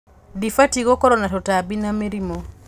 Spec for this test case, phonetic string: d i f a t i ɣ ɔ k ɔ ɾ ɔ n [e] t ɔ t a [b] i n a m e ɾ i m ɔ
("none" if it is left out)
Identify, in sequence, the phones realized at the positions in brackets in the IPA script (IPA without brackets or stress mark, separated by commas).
a, b